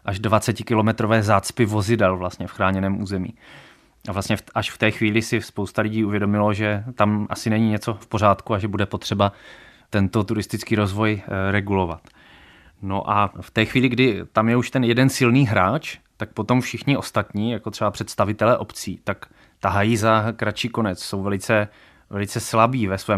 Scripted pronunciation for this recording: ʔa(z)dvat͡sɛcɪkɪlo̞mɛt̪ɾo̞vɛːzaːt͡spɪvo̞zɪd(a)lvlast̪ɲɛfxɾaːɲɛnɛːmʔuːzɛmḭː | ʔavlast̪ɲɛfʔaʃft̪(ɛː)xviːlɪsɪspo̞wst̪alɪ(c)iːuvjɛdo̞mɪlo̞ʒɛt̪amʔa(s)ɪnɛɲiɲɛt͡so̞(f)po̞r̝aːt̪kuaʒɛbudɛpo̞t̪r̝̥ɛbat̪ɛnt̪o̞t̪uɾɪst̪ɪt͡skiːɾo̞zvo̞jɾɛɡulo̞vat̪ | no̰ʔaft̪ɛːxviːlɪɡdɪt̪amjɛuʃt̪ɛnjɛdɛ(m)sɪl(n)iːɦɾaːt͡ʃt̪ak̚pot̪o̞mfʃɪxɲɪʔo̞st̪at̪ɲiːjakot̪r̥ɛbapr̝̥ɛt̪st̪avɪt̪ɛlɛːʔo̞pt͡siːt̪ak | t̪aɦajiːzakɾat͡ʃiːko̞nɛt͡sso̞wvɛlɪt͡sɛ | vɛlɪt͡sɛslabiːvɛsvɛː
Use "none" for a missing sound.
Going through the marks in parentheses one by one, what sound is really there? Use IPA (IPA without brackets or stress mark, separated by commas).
ʒ, ɛ, ɛː, ɟ, s, f, n, n